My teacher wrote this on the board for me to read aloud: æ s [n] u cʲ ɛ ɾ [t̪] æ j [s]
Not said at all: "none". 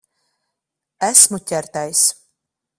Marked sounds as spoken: m, t̪, s

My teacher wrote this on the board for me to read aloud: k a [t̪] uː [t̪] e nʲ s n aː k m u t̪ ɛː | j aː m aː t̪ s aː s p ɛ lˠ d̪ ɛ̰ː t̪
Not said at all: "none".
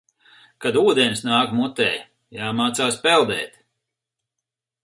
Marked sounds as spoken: d̪, d̪

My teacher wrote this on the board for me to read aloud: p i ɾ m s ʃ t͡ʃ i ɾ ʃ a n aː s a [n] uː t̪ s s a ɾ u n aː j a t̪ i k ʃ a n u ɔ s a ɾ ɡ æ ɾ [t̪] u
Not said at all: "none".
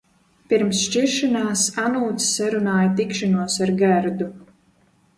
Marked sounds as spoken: n, d̪

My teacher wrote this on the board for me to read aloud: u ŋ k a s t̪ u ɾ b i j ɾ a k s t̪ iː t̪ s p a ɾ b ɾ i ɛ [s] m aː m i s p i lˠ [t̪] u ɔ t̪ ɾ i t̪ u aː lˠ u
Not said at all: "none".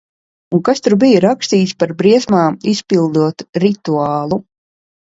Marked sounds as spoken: s, d̪

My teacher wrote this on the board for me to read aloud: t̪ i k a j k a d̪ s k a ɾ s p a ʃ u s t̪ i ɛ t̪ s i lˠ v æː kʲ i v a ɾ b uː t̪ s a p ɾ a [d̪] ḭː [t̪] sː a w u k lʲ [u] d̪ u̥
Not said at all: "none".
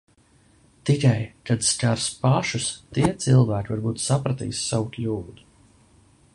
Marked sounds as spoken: t̪, none, uː

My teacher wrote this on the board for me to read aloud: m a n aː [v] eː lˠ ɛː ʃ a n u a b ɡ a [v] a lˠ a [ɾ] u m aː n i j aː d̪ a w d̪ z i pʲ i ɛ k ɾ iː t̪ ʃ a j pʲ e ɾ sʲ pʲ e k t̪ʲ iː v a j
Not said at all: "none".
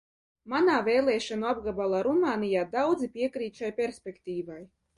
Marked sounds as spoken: v, b, ɾ

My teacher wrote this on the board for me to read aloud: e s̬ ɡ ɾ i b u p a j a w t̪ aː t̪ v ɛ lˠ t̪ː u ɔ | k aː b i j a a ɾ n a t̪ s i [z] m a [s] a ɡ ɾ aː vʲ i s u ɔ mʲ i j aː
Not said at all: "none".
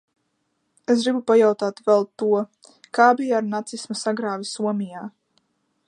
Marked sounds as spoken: s, s

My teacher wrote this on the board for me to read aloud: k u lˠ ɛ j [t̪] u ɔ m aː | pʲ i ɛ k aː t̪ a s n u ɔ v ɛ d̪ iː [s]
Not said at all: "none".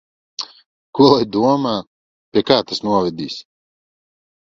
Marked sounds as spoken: d̪, s

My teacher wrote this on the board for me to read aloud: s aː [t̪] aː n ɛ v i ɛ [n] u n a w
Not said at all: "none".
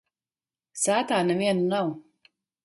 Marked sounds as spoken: t̪, n

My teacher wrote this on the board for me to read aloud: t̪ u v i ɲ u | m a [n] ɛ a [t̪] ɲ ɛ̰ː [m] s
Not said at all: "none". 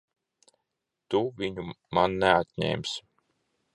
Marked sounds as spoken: nː, t̪, m

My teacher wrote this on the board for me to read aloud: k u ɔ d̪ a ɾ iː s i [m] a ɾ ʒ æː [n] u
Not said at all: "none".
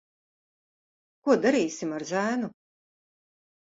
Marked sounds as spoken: m, n

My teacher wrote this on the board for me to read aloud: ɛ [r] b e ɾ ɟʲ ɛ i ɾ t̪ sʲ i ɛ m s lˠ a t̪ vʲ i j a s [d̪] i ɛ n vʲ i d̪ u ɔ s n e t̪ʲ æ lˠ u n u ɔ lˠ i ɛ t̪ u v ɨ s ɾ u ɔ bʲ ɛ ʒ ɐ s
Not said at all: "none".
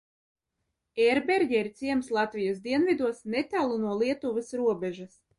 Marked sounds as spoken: ɾ, d̪

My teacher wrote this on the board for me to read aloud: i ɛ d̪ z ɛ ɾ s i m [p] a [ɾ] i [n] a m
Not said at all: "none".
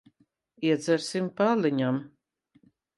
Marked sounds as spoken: p, l, ɲ

